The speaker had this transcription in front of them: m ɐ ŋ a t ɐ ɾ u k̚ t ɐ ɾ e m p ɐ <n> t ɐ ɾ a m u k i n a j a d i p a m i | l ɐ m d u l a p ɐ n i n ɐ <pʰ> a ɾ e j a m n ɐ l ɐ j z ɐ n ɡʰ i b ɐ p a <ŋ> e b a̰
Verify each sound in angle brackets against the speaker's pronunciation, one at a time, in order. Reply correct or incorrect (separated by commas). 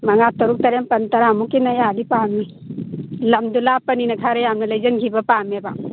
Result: correct, incorrect, incorrect